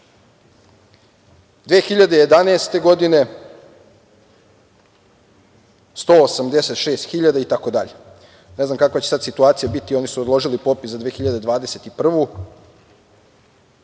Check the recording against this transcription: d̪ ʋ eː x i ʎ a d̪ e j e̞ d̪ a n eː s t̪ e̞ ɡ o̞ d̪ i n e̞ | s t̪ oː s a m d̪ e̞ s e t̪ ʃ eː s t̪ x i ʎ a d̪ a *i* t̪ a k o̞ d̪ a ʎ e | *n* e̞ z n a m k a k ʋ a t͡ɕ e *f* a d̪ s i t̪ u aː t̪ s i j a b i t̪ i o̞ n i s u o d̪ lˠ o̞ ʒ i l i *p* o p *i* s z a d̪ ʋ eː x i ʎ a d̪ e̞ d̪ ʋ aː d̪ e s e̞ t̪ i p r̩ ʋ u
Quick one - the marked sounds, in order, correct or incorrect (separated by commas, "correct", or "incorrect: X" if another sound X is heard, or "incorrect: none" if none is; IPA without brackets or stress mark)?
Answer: correct, correct, incorrect: s, correct, correct